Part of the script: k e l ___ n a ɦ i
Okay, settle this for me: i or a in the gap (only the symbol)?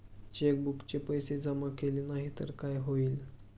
i